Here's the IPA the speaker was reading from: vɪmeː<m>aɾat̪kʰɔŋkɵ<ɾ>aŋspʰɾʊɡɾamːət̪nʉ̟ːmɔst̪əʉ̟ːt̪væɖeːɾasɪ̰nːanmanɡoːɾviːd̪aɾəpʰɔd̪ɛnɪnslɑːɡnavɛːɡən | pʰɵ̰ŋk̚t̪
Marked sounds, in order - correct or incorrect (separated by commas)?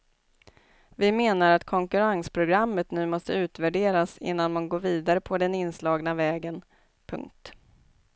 incorrect, correct